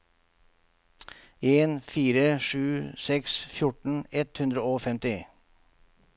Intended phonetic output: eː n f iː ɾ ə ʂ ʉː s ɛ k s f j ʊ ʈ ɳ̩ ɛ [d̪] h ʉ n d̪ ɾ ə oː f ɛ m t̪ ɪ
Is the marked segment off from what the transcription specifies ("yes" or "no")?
yes